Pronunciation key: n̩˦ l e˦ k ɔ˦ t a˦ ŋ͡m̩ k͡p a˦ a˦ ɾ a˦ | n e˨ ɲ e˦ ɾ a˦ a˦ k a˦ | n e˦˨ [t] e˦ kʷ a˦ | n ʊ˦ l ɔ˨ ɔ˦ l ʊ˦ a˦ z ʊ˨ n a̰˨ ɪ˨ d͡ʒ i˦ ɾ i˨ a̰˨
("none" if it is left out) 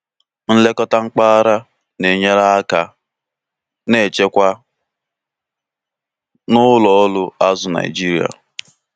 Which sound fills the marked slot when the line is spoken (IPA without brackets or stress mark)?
t͡ʃ